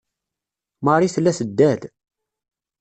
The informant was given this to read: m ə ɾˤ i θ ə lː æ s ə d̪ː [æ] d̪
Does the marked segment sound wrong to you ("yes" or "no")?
no